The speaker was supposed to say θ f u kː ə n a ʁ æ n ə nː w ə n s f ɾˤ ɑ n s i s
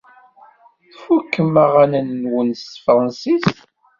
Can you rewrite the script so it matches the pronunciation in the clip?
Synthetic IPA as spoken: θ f u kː ə m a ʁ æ n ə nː w ə n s f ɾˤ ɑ n s i s